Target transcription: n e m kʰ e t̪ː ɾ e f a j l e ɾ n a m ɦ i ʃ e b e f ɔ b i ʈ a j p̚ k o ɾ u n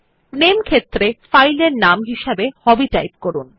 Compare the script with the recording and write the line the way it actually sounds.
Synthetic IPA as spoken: n e m kʰ e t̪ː ɾ e f a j l e ɾ n a m ɦ i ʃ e b e h ɔ b i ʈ a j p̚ k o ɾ u n